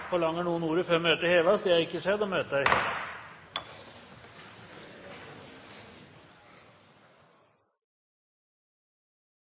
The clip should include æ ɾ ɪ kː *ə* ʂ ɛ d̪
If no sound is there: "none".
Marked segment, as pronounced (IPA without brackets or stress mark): ə